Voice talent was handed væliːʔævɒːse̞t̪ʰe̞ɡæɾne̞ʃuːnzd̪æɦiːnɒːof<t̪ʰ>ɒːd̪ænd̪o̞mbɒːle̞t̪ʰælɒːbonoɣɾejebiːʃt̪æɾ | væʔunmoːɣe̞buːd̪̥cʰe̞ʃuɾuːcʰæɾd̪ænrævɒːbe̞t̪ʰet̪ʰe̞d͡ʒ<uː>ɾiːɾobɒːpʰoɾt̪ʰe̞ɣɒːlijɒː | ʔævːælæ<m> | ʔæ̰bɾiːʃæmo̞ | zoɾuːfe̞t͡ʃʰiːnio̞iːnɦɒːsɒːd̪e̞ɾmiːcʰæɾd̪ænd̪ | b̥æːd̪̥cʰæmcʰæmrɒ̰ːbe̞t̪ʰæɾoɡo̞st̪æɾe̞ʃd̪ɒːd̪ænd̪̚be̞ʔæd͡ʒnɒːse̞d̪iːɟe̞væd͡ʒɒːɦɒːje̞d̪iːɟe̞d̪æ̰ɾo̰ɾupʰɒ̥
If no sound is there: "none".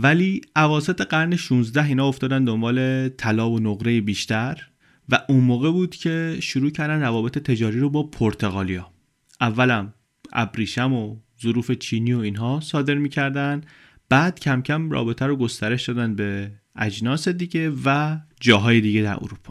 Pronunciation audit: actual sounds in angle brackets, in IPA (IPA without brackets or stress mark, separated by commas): t̪, ɒː, m